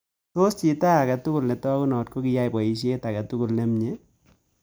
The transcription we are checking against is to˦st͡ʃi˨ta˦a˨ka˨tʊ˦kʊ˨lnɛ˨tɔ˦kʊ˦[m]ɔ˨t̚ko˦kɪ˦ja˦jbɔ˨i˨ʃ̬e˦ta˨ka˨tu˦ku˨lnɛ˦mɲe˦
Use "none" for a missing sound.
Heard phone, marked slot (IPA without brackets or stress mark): n